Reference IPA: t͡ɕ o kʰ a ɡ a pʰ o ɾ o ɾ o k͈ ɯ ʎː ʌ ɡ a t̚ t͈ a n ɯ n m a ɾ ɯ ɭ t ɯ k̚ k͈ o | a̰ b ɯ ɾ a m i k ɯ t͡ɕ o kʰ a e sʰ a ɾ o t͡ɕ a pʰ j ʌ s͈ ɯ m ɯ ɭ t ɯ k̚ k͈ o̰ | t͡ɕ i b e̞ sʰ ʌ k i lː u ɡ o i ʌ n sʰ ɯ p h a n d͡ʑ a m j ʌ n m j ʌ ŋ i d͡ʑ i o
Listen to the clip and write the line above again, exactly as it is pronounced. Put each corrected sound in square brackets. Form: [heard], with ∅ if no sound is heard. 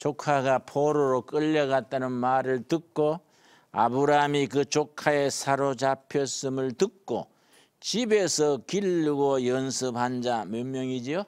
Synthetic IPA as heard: t͡ɕ o kʰ a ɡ a pʰ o ɾ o ɾ o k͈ ɯ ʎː ʌ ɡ a t̚ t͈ a n ɯ n m a ɾ ɯ ɭ t ɯ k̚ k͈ o | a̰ b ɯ ɾ a m i k ɯ t͡ɕ o kʰ a e sʰ a ɾ o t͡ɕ a pʰ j ʌ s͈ ɯ m ɯ ɭ t ɯ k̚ k͈ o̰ | t͡ɕ i b e̞ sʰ ʌ k i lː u ɡ o [j] ʌ n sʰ ɯ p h a n d͡ʑ a m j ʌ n m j ʌ ŋ i d͡ʑ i o